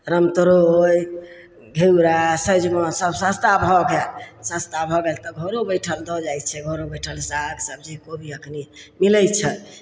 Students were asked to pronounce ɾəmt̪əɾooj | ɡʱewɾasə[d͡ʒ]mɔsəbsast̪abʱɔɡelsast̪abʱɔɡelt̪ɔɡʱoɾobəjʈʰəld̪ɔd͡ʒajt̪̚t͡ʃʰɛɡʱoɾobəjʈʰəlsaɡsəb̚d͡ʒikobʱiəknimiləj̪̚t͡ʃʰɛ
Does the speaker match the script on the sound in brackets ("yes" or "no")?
yes